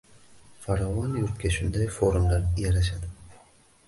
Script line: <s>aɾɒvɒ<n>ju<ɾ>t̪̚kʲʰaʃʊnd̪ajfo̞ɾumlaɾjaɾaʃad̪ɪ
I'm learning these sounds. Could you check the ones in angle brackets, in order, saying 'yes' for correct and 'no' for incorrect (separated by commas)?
no, yes, yes